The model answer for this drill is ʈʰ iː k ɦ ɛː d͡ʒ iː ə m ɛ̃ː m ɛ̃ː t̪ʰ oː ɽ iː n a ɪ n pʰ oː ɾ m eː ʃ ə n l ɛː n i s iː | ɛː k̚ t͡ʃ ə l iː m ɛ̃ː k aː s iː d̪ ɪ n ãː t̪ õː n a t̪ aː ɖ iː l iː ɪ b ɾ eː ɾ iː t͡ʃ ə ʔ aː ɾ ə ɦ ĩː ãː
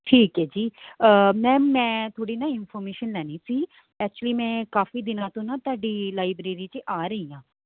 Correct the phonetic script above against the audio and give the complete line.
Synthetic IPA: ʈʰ iː k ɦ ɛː d͡ʒ iː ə m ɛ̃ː m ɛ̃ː t̪ʰ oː ɽ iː n a ɪ n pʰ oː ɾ m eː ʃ ə n l ɛː n i s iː | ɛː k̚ t͡ʃ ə l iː m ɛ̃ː k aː f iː d̪ ɪ n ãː t̪ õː n a t̪ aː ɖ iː l aː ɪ b ɾ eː ɾ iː t͡ʃ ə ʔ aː ɾ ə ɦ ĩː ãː